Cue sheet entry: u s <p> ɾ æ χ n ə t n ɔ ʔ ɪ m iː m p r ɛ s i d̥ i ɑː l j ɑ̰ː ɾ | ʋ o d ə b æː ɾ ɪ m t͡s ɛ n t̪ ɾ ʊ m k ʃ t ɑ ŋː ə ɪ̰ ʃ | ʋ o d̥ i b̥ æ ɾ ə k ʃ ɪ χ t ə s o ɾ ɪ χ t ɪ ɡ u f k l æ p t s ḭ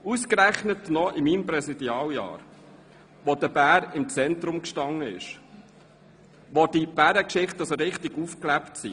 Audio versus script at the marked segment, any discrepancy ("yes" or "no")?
yes